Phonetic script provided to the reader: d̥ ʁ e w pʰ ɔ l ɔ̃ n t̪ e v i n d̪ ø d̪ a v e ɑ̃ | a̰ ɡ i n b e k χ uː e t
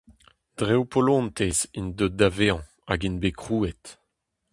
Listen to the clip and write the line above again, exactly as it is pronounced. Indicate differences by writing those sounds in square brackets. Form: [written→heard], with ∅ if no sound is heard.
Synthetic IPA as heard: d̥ ʁ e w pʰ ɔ l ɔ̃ n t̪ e [v→z] i n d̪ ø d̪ a v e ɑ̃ | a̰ ɡ i n b e k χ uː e t